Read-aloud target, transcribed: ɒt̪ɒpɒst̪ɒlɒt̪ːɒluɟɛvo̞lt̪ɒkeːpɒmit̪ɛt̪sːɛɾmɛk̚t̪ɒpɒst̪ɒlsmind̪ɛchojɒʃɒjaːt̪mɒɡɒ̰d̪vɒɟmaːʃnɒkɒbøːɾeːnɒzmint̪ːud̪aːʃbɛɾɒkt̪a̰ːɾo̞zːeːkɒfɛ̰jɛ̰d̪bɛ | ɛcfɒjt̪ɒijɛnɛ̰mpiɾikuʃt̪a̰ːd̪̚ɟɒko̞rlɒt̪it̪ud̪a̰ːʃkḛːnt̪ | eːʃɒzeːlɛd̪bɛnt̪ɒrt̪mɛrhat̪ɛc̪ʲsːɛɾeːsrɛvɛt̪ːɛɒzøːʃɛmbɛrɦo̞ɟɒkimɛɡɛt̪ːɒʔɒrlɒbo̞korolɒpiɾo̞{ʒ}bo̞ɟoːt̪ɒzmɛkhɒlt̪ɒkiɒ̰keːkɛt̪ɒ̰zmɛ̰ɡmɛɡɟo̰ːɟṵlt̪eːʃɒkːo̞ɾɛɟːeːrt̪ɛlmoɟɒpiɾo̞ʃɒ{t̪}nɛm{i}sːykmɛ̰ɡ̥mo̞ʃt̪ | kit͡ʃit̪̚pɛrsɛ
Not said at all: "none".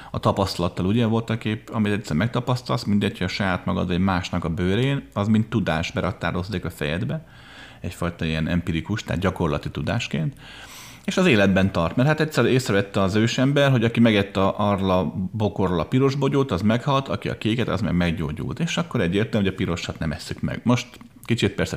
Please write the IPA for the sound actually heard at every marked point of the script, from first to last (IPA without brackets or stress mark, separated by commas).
ʒ, t̪, ɛ